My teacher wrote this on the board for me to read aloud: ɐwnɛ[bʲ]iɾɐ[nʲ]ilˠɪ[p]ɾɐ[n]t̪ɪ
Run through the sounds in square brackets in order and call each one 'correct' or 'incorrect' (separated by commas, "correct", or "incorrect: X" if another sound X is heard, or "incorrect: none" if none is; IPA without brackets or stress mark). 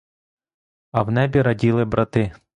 correct, incorrect: dʲ, incorrect: b, incorrect: none